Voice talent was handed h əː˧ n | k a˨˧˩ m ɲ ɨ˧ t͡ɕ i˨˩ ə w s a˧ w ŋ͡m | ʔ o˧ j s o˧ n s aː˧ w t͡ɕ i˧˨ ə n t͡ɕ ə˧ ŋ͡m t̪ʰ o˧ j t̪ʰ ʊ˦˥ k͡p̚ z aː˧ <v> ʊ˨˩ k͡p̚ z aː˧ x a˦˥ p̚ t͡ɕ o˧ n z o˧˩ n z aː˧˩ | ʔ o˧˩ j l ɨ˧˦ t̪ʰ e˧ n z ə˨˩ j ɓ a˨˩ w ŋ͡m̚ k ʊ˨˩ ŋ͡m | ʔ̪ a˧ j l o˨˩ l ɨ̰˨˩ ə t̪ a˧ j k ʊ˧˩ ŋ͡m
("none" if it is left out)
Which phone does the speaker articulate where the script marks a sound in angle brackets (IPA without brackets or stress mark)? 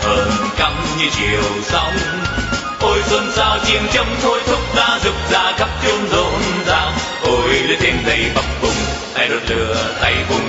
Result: z